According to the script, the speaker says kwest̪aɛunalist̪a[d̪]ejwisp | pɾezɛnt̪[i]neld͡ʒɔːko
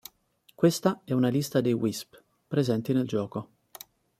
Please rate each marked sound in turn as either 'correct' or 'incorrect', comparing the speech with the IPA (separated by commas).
correct, correct